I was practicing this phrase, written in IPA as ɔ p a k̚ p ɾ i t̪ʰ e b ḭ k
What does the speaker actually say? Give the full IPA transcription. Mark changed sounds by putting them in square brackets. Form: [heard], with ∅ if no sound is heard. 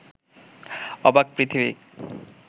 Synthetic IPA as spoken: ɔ [b] a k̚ p ɾ i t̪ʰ [i] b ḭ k

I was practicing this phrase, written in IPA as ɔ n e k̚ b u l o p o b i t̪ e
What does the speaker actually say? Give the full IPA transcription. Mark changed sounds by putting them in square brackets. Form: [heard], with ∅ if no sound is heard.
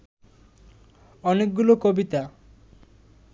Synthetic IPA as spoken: ɔ n e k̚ [ɡ] u l o [k] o b i t̪ [a]

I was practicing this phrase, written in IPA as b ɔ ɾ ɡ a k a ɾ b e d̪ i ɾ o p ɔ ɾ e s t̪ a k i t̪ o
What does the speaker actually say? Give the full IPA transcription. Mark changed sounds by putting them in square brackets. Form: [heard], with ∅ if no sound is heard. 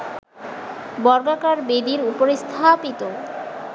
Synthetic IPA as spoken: b ɔ ɾ ɡ a k a ɾ b e d̪ i ɾ [u] p [o] ɾ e s [t̪ʰ] a [p] i t̪ o

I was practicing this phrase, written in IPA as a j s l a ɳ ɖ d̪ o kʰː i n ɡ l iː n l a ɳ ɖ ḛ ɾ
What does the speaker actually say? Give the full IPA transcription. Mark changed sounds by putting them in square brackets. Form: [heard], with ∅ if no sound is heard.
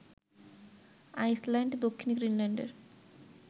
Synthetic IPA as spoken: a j s l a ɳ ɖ d̪ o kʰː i n ɡ [ɾ] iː n l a ɳ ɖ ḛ ɾ

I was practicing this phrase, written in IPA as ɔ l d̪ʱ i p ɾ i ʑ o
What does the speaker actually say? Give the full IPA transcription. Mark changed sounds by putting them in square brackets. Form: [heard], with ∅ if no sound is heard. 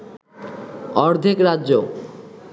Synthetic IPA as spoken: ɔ [ɾ] d̪ʱ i [k] ɾ [a] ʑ o

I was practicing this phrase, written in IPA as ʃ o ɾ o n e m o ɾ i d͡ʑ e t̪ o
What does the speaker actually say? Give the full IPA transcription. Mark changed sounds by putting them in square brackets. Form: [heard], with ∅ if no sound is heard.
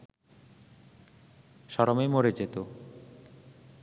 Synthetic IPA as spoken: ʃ [ɔ] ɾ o [m] e m o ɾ [e] d͡ʑ e t̪ o

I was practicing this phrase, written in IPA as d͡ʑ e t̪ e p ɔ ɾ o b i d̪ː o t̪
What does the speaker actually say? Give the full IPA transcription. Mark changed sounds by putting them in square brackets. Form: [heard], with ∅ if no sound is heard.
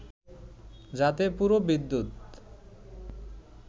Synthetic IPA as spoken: d͡ʑ [a] t̪ e p [u] ɾ o b i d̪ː [u] t̪

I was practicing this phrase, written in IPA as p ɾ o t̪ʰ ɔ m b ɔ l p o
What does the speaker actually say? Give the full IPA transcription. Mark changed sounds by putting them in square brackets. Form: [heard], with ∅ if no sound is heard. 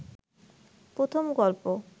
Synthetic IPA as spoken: p ɾ o t̪ʰ [o] m [ɡ] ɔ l p o

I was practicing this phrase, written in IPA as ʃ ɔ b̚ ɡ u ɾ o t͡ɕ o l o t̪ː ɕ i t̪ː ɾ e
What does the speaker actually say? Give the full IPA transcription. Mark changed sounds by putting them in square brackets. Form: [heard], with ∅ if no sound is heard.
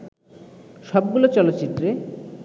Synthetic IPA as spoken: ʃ ɔ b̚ ɡ u [l] o t͡ɕ [ɔ] l o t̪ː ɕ i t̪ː ɾ e

